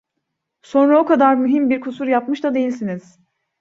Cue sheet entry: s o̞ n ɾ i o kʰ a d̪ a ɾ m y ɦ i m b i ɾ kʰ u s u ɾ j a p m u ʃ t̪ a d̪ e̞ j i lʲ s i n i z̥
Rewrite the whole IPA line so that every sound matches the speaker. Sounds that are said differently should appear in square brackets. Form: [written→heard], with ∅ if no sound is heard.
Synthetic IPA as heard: s o̞ n ɾ [i→a] o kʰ a d̪ a ɾ m y ɦ i m b i ɾ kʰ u s u ɾ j a p m [u→ɯ] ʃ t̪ a d̪ e̞ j i lʲ s i n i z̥